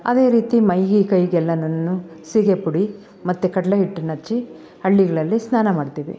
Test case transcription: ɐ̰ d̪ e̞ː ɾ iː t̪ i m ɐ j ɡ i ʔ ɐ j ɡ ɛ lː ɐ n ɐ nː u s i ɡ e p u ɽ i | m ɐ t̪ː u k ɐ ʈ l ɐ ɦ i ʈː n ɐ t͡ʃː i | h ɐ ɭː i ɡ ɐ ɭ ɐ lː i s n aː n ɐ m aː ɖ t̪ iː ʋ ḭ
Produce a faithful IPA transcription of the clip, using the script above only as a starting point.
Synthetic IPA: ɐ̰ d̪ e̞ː ɾ iː t̪ i m ɐ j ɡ i k ɐ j ɡ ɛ lː ɐ n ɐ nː u s i ɡ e p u ɽ i | m ɐ t̪ː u k ɐ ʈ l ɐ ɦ i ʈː n ɐ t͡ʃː i | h ɐ ɭː i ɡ ɐ ɭ ɐ lː i s n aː n ɐ m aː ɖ t̪ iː ʋ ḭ